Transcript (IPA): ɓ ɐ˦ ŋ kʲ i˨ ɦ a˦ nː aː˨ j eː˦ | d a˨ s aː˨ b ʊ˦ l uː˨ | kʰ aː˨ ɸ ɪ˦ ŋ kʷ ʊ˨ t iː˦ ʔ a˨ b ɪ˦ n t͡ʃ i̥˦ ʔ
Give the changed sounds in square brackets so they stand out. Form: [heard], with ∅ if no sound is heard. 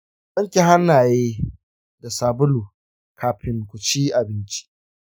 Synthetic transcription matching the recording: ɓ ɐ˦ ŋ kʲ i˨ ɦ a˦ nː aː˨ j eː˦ | d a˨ s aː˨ b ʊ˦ l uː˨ | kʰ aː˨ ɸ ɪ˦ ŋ kʷ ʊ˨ [t͡ʃ] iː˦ ʔ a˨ b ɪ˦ n t͡ʃ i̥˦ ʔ